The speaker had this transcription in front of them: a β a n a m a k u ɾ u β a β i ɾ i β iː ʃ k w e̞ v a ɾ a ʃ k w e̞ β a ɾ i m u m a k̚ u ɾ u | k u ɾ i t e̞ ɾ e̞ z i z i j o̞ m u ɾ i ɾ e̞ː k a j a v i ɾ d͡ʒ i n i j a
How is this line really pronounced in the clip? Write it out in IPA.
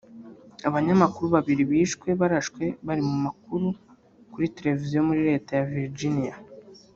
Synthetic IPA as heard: a β a ɲ a m a k u ɾ u β a β i ɾ i β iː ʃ k w e̞ β a ɾ a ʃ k w e̞ β a ɾ i m u m a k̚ u ɾ u | k u ɾ i t e̞ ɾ e̞ v i z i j o̞ m u ɾ i ɾ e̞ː t a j a v i ɾ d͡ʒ i n i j a